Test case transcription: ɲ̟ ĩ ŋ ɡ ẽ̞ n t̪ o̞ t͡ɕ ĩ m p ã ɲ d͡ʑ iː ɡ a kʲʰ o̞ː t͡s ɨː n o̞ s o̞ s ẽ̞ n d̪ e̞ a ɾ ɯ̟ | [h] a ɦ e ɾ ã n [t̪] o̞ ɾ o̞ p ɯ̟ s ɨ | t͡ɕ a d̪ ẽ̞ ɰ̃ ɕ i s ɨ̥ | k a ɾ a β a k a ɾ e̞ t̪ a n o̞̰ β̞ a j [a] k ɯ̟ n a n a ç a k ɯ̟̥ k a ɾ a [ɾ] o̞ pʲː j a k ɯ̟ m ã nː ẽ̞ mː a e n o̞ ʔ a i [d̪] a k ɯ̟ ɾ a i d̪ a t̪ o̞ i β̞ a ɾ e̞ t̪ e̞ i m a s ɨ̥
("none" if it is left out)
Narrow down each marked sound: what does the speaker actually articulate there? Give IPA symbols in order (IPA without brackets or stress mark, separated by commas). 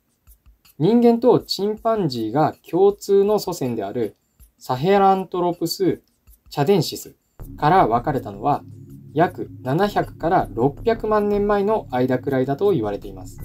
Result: s, t̪, a, ɾ, d̪